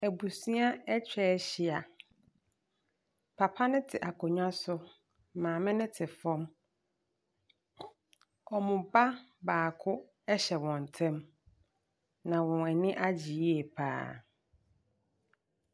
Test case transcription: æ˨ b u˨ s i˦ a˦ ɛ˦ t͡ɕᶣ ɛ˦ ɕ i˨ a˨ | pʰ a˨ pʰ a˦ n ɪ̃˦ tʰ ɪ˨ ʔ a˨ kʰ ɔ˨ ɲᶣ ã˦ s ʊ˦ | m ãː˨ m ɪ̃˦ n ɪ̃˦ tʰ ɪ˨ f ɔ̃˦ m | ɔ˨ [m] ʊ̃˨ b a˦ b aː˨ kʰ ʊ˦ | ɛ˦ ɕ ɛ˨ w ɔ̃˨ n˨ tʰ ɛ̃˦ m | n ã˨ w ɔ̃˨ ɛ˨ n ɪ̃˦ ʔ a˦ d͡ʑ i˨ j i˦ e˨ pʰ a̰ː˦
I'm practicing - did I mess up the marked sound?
no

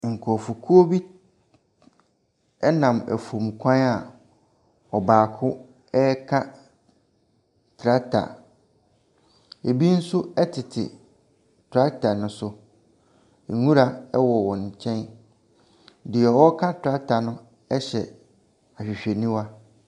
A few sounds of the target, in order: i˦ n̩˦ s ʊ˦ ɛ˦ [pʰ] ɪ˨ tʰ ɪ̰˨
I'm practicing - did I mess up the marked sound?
yes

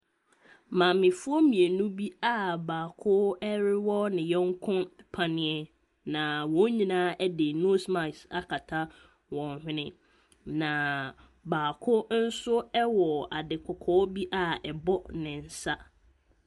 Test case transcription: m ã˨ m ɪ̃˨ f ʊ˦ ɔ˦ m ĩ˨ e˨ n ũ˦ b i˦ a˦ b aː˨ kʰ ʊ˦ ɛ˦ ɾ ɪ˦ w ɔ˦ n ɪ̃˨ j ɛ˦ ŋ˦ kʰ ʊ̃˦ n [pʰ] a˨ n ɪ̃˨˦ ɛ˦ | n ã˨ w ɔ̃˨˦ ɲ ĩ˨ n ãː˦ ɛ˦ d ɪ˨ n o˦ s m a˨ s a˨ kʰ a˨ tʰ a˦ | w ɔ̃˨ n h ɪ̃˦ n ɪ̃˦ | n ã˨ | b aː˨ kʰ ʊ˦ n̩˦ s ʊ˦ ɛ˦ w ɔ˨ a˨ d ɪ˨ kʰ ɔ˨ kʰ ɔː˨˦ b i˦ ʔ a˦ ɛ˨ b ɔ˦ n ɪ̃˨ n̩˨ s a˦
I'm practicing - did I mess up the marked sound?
no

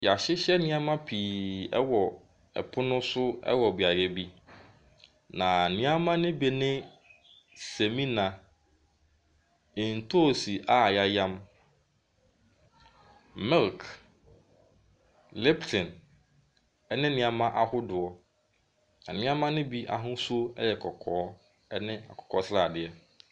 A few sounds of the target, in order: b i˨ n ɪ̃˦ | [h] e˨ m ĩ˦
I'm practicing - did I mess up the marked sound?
yes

